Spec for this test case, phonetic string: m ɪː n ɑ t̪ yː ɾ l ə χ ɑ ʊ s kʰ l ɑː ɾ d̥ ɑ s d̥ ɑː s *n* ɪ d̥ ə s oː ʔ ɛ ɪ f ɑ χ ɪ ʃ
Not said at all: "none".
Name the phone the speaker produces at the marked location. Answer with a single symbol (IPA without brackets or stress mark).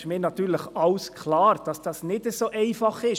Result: n